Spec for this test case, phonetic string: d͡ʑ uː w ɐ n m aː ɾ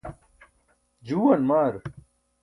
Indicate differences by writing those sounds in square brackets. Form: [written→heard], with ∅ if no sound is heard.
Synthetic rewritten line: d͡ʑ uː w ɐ n m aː ɾ